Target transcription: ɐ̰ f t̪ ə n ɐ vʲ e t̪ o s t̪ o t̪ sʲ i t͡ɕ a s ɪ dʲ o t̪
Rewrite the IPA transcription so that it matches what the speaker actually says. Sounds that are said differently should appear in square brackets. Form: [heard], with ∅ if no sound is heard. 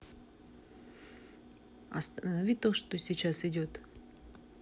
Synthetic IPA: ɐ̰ [s] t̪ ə n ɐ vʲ [i] t̪ o [ʂ] t̪ o [∅] sʲ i t͡ɕ a s ɪ dʲ o t̪